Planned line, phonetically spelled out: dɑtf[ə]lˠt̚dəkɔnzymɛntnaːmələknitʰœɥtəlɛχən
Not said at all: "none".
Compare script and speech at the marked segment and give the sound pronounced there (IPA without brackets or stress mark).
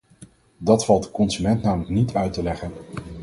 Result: ɑ